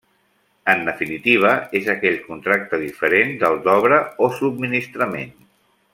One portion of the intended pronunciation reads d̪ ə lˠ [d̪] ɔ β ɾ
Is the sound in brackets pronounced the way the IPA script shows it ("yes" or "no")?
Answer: yes